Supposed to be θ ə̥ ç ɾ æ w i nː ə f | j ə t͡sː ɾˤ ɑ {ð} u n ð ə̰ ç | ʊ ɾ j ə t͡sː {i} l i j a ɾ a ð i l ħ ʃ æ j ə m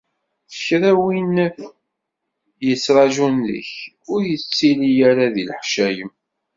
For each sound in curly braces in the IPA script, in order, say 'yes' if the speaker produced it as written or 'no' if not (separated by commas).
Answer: no, yes